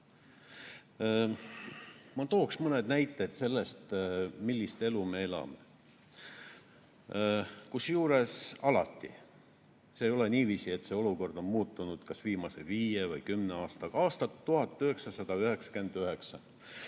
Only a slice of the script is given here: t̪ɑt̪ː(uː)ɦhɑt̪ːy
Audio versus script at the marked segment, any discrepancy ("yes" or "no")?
yes